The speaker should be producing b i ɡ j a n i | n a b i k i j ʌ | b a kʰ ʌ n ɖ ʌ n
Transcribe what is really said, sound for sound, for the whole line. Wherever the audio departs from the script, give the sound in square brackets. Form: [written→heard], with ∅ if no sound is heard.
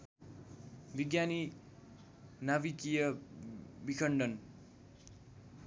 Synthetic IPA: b i ɡ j a n i | n a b i k i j ʌ | b [a→i] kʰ ʌ [n→ɳ] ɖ ʌ n